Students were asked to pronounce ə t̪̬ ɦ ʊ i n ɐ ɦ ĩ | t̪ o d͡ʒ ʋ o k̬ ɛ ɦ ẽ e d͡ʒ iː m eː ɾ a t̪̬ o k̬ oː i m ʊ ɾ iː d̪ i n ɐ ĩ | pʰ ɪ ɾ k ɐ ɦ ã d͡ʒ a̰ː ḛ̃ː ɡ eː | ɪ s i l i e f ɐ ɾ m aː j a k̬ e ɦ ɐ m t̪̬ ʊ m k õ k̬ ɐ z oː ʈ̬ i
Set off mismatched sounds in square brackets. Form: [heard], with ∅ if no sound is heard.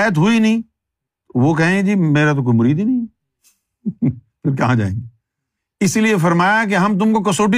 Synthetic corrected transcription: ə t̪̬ ɦ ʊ i n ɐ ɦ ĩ | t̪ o [∅] ʋ o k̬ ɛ ɦ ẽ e d͡ʒ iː m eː ɾ a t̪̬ o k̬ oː i m ʊ ɾ iː d̪ i n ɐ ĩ | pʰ ɪ ɾ k ɐ ɦ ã d͡ʒ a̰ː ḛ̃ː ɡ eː | ɪ s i l i e f ɐ ɾ m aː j a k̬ e ɦ ɐ m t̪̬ ʊ m k [o] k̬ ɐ [s] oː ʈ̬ i